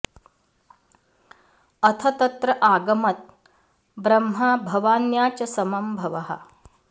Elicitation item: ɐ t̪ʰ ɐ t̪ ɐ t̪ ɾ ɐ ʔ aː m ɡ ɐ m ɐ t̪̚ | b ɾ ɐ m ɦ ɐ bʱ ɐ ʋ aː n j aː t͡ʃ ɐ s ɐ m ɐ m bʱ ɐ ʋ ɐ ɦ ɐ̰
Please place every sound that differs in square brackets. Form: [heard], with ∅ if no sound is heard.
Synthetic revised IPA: ɐ t̪ʰ ɐ t̪ ɐ t̪ ɾ ɐ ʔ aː [∅] ɡ ɐ m ɐ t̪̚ | b ɾ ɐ m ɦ ɐ bʱ ɐ ʋ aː n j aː t͡ʃ ɐ s ɐ m ɐ m bʱ ɐ ʋ ɐ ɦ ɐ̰